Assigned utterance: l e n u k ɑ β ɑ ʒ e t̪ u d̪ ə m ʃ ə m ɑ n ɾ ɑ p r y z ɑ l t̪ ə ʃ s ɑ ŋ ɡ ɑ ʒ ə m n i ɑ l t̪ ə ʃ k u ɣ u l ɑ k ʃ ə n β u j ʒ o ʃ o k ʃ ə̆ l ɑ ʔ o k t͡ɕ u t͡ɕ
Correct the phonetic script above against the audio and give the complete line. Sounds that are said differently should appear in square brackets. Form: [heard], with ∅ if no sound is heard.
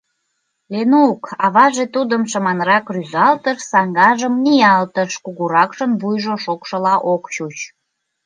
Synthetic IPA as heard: l e n u k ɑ β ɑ ʒ e t̪ u d̪ ə m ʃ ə m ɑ n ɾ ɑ [k] r y z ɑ l t̪ ə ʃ s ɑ ŋ ɡ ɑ ʒ ə m n i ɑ l t̪ ə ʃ k u ɣ u [ɾ] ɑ k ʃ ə n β u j ʒ o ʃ o k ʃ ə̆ l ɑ ʔ o k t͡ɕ u t͡ɕ

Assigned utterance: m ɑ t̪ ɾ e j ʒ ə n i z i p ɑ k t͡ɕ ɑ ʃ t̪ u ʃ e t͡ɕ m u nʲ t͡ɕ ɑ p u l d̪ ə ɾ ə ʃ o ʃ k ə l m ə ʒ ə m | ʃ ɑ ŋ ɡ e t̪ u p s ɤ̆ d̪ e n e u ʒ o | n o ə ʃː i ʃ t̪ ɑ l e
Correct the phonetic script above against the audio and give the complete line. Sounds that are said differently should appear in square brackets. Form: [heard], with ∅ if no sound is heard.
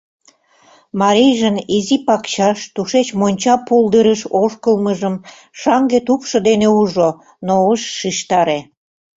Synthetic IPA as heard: m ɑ [∅] ɾ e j ʒ ə n i z i p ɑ k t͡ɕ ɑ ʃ t̪ u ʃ e t͡ɕ m [o] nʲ t͡ɕ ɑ p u l d̪ ə ɾ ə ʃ o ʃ k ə l m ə ʒ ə m | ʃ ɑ ŋ ɡ e t̪ u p [ʃ] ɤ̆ d̪ e n e u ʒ o | n o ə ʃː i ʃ t̪ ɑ [ɾ] e

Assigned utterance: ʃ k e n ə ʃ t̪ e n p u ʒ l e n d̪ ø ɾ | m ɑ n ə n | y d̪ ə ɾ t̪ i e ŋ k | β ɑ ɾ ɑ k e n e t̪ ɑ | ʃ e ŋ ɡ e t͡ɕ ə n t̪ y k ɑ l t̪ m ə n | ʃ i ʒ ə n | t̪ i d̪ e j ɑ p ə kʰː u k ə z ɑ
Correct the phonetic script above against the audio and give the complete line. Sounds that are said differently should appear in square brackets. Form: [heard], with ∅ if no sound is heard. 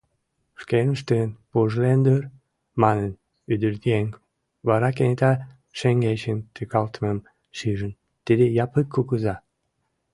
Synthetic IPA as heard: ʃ k e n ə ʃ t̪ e n p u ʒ l e n d̪ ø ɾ | m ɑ n ə n | y d̪ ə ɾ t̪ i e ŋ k | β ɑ ɾ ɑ k e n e t̪ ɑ | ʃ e ŋ ɡ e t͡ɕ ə n t̪ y k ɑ l t̪ m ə [m] | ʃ i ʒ ə n | t̪ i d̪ e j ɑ p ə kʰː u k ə z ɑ

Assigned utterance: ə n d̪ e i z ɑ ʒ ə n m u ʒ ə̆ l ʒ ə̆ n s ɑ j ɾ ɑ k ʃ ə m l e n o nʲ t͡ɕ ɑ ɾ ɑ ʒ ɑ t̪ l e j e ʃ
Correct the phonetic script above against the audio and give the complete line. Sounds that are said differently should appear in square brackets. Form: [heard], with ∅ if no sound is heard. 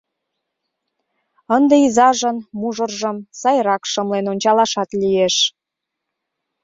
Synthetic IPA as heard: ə n d̪ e i z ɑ ʒ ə n m u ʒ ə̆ [r] ʒ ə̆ [m] s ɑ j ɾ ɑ k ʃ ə m l e n o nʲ t͡ɕ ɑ [l] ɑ [ʃ] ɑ t̪ l [i] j e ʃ

